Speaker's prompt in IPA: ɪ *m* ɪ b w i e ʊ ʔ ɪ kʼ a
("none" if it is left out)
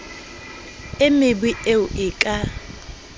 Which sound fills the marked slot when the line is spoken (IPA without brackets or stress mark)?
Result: m